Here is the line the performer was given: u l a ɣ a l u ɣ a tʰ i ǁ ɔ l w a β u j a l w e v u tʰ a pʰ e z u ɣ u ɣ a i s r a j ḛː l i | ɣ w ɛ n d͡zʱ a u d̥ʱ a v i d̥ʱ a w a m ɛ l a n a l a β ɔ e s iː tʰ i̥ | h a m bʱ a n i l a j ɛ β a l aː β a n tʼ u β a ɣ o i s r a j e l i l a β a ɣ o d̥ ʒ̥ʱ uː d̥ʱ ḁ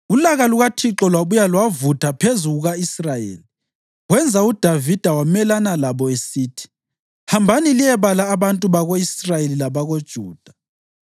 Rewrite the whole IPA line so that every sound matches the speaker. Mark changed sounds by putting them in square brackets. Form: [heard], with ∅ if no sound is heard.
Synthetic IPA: u l a ɣ a l u ɣ a tʰ i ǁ ɔ l w a β u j a l w [a] v u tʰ a pʰ e z u ɣ u ɣ a i s r a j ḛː l i | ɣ w ɛ n d͡zʱ a u d̥ʱ a v i d̥ʱ a w a m ɛ l a n a l a β ɔ e s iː tʰ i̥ | h a m bʱ a n i l [i] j ɛ β a l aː β a n tʼ u β a ɣ o i s r a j e l i l a β a ɣ o d̥ ʒ̥ʱ uː d̥ʱ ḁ